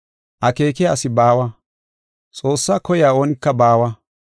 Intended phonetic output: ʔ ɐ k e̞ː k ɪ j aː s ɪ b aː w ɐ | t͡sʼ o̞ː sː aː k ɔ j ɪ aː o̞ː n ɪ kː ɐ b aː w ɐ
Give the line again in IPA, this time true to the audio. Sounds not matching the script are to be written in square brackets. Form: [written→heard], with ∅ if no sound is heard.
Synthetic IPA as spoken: ʔ ɐ k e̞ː k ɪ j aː s ɪ b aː w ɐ | t͡sʼ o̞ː sː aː k ɔ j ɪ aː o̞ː n ɪ kː ɐ b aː w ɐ